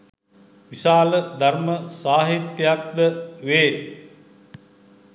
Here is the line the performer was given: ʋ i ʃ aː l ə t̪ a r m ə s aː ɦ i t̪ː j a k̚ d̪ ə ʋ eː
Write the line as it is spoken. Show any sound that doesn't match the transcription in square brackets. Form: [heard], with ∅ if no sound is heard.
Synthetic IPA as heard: ʋ i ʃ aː l ə [d̪] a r m ə s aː ɦ i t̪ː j a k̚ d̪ ə ʋ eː